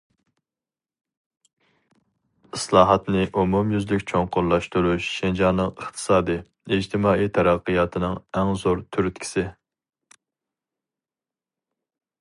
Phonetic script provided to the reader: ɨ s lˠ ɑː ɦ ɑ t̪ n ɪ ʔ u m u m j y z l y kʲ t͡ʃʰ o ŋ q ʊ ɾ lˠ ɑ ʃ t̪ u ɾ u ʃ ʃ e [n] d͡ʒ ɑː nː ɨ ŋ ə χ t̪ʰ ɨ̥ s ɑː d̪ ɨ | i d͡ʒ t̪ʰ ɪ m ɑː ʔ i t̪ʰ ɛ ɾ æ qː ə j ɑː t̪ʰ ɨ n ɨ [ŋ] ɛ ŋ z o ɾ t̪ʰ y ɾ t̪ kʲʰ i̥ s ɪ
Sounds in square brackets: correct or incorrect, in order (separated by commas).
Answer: correct, correct